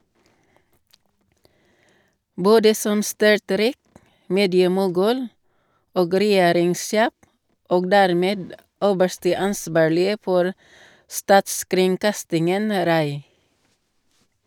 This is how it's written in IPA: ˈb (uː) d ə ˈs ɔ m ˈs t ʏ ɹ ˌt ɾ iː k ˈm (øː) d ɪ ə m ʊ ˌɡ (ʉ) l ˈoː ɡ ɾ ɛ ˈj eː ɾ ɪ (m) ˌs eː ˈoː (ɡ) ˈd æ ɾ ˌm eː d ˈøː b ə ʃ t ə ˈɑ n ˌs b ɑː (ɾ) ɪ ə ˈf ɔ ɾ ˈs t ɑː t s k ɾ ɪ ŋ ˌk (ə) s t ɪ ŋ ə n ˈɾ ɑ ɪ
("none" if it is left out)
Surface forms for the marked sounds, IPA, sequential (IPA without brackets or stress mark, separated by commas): oː, eː, ʉː, ŋ, ɡ, ɭ, ɑ